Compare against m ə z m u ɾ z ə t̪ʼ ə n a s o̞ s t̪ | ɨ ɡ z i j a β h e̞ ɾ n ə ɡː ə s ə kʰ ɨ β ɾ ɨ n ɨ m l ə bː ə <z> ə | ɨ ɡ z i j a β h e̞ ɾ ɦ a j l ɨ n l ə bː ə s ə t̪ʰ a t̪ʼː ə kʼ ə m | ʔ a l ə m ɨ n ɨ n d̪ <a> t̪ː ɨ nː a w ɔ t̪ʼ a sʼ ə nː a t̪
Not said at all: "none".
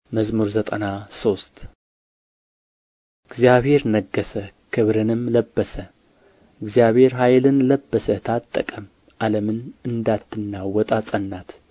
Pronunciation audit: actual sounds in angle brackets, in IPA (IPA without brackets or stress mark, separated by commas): s, a